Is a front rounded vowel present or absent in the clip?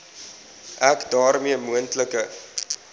absent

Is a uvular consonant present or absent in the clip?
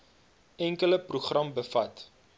present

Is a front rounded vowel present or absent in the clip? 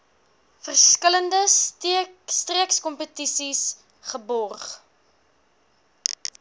absent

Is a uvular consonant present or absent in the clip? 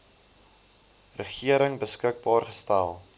present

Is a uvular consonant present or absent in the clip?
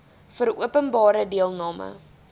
absent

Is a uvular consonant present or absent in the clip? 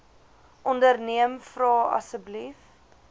absent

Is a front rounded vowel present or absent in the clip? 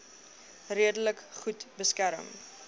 absent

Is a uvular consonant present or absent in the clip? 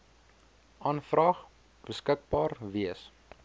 present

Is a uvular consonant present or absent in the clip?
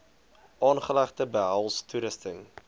present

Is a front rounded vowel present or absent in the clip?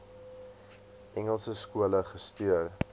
present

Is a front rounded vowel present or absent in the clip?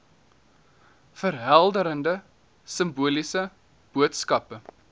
absent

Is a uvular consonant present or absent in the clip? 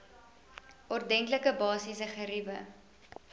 present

